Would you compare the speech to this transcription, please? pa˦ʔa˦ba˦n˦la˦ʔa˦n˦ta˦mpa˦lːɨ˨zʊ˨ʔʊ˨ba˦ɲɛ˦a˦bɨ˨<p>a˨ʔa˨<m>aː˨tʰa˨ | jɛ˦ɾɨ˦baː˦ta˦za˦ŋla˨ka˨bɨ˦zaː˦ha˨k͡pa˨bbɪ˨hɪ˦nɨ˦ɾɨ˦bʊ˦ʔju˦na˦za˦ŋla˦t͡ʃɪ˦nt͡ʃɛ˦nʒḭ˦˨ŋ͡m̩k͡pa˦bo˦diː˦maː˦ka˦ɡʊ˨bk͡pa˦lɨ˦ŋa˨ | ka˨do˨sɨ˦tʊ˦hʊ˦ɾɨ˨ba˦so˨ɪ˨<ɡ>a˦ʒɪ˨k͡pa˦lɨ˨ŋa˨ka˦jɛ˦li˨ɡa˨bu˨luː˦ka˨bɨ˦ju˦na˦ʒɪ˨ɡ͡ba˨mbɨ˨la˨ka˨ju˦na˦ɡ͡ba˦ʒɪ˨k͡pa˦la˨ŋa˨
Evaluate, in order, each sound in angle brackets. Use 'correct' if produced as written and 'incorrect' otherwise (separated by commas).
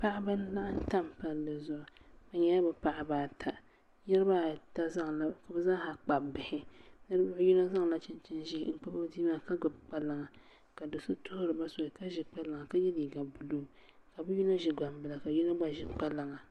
correct, incorrect, incorrect